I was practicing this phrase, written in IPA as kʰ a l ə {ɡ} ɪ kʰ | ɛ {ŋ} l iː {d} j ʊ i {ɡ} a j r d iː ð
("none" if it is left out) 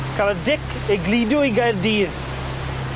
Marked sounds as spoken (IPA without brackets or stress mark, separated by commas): d, ɡ, d, ɡ